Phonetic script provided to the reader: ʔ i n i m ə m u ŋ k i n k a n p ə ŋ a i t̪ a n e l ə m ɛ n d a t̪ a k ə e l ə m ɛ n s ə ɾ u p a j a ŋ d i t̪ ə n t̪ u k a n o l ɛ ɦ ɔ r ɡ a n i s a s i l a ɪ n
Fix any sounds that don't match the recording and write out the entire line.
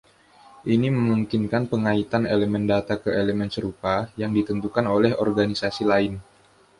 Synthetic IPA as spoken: ʔ i n i m ə m u ŋ k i n k a n p ə ŋ a i t̪ a n e l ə m ɛ n d a t̪ a k ə e l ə m ɛ n s ə ɾ u p a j a ŋ d i t̪ ə n t̪ u k a n o l ɛ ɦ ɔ r ɡ a n i s a s i l a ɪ n